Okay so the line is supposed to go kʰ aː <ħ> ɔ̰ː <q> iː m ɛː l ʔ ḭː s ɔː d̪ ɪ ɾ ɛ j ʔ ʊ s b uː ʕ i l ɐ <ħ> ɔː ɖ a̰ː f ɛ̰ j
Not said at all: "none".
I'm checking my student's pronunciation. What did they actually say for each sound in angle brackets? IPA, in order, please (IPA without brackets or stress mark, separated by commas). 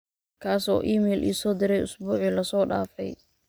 s, ʔ, s